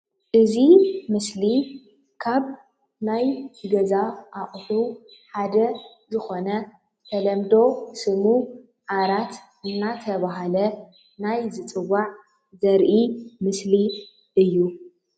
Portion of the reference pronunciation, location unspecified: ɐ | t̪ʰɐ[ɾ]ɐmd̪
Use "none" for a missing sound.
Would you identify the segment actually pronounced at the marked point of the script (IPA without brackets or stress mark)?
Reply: l